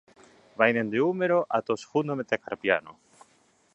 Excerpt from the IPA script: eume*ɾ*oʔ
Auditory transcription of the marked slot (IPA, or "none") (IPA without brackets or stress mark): ɾ